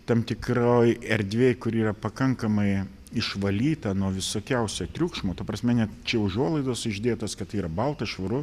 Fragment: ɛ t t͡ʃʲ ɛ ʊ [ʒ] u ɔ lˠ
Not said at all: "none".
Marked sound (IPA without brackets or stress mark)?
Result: ʒ